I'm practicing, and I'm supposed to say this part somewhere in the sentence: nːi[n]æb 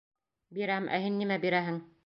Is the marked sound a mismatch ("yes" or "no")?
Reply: yes